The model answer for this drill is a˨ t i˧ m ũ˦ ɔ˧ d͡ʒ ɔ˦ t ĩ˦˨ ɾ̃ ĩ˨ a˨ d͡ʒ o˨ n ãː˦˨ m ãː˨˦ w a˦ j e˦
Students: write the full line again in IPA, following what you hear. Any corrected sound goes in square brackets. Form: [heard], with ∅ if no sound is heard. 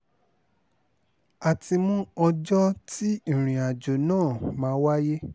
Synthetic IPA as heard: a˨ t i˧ m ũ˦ ɔ˧ d͡ʒ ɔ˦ t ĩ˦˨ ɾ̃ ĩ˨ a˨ d͡ʒ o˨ n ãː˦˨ m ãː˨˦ w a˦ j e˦